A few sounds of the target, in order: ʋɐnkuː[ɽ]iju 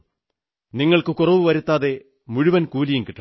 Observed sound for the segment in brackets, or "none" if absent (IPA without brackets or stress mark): l